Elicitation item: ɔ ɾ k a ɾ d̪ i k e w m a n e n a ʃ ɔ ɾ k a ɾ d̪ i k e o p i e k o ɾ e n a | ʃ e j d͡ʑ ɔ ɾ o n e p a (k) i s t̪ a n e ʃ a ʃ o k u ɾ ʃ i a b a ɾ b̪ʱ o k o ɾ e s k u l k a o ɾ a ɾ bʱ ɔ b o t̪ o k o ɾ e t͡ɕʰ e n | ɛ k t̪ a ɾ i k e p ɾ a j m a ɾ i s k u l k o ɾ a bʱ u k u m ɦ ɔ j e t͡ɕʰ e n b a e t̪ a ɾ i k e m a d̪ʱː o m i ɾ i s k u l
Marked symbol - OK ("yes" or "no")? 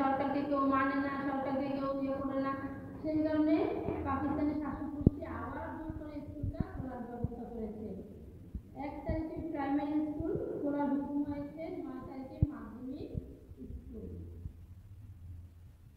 yes